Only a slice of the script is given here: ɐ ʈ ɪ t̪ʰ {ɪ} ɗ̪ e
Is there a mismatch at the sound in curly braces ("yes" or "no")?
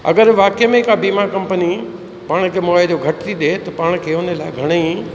yes